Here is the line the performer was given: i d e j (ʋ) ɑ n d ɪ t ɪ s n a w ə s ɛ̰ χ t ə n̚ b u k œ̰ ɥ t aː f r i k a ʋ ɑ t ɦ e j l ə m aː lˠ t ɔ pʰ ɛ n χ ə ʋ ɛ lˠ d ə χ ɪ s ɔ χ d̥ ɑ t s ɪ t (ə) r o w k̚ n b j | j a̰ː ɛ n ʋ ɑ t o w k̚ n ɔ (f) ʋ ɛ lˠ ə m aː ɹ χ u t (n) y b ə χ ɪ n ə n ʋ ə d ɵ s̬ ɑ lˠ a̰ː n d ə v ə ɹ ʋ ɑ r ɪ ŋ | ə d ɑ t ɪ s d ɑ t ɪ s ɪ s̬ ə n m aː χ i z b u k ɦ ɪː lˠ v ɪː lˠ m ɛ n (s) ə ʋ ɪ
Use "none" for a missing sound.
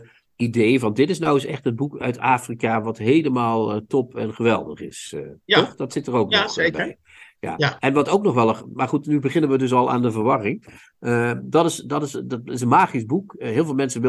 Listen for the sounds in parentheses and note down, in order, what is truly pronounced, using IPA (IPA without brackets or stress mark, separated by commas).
v, ə, χ, n, s